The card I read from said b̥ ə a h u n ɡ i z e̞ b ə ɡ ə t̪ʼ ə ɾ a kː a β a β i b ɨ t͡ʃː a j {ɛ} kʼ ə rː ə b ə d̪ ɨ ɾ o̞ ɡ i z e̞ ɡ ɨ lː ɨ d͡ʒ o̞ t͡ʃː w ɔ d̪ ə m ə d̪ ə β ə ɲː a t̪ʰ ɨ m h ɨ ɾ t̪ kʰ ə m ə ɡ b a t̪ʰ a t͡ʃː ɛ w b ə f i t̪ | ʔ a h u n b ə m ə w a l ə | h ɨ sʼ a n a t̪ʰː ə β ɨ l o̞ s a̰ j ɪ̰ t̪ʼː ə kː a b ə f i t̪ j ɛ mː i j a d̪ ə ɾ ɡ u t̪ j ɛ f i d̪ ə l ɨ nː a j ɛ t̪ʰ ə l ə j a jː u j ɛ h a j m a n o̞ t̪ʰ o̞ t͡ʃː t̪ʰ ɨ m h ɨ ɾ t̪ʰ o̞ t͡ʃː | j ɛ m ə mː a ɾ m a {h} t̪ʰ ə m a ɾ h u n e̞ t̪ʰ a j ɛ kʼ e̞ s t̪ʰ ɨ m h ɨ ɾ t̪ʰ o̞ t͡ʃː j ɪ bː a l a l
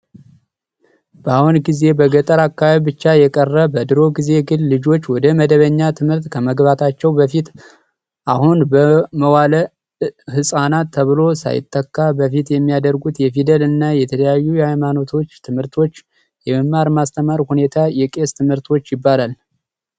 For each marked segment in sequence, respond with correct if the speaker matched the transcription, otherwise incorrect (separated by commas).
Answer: correct, incorrect